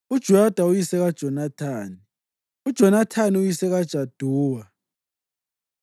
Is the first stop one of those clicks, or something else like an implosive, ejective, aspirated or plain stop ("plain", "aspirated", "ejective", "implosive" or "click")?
plain